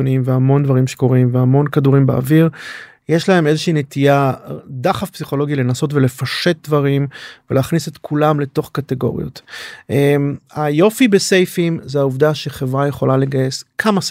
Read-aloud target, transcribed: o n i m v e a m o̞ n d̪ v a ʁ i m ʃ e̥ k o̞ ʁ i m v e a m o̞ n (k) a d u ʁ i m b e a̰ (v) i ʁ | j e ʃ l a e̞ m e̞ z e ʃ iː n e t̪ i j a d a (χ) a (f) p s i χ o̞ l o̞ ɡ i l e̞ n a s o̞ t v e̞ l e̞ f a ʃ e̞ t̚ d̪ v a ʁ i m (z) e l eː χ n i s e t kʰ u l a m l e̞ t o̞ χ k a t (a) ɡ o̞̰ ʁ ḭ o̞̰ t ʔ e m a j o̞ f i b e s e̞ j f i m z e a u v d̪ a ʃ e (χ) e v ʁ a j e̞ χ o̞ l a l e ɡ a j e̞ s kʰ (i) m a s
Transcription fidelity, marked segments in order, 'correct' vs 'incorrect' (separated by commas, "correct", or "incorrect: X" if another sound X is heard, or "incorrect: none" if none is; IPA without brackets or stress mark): correct, correct, correct, correct, incorrect: v, incorrect: e, correct, incorrect: a